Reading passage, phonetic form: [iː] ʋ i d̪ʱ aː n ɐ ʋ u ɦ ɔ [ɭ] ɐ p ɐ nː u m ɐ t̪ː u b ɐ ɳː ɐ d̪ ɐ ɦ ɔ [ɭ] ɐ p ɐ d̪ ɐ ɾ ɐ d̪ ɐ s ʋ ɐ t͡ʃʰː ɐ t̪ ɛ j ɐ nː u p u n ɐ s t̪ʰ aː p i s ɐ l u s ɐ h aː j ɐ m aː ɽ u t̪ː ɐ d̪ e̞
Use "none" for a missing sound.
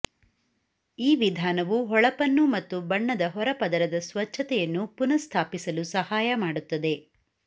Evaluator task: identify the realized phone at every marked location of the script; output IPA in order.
iː, ɭ, ɾ

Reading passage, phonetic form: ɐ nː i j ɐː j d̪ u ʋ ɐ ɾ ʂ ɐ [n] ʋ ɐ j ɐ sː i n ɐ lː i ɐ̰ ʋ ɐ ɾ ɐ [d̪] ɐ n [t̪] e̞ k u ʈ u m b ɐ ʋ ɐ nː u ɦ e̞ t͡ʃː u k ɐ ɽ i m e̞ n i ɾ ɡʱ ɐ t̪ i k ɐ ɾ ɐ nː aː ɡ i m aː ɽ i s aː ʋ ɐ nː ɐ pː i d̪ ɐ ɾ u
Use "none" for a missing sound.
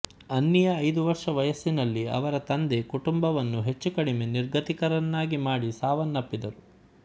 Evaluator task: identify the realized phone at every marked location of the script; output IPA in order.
none, t̪, d̪

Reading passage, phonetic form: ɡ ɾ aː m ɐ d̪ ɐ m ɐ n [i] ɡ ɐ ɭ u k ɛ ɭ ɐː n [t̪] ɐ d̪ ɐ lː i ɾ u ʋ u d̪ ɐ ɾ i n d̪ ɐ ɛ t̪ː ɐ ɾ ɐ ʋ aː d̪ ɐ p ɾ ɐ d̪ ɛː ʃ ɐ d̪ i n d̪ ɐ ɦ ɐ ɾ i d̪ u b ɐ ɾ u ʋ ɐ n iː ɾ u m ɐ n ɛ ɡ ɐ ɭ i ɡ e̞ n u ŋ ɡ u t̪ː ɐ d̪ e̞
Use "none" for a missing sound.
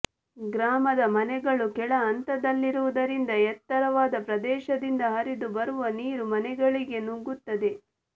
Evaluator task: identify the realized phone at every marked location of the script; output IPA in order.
ɛ, t̪

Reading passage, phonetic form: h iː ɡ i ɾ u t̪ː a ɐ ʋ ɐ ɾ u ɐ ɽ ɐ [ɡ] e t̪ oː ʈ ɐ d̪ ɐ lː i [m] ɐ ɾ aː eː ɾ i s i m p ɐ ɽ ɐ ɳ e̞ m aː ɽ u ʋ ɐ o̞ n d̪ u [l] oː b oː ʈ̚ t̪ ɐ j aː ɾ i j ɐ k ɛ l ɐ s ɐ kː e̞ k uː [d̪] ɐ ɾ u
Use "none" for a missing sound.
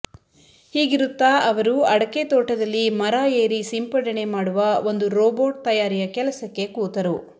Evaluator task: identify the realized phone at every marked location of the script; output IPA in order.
k, m, ɾ, t̪

